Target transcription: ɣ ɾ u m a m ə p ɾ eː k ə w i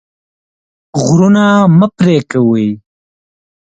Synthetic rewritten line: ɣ ɾ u n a m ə p ɾ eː k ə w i

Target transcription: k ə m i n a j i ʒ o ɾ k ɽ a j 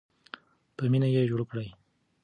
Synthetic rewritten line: p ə m i n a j e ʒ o ɽ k ɽ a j

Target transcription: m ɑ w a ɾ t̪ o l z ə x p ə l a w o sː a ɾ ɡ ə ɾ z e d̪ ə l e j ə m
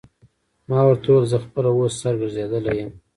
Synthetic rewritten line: m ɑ w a ɾ t̪ o l z ə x p ə l a w o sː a ɾ ɡ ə ɾ z e d̪ ə l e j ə m

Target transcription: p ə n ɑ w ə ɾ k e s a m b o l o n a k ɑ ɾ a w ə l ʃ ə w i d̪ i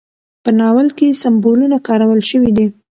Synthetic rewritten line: p ə n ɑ w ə l k e s a m b o l u n a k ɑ ɾ a w ə l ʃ ə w i d̪ i

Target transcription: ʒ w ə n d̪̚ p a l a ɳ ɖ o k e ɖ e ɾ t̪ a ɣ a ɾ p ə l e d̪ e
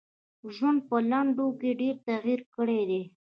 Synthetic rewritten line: ʒ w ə n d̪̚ p ə l a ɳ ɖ o k e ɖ e ɾ t̪ a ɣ i ɾ k ə ɽ e d̪ e

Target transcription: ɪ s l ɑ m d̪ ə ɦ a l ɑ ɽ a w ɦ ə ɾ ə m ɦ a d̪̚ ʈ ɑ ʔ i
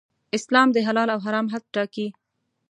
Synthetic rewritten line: ɪ s l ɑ m d̪ ə ɦ a l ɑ l a w ɦ a ɾ ɑ m ɦ a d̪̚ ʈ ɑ k i

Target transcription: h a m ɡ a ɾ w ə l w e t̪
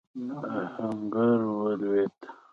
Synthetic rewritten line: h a ŋ ɡ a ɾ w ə l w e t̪

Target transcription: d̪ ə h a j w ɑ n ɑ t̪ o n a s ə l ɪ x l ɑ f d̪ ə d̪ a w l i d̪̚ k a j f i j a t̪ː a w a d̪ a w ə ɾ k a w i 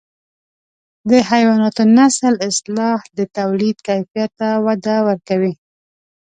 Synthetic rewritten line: d̪ ə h a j w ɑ n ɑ t̪ o n a s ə l ɪ s l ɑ h d̪ ə t̪ a w l i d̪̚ k a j f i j a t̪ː a w a d̪ a w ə ɾ k a w i

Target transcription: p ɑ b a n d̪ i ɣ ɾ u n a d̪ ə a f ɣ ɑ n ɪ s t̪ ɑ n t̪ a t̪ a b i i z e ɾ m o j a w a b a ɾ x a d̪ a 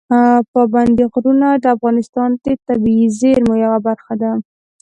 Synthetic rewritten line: p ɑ b a n d̪ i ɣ ɾ u n a d̪ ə a f ɣ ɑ n ɪ s t̪ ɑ n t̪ e t̪ a b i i z e ɾ m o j a w a b a ɾ x a d̪ a

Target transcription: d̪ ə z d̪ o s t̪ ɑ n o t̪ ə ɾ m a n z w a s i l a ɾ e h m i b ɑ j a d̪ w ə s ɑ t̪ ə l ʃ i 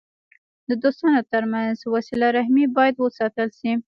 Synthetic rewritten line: d̪ ə d̪ o s t̪ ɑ n o t̪ ə ɾ m a n z w a s i l a ɾ a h m i b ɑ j a d̪ w ə s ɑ t̪ ə l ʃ i

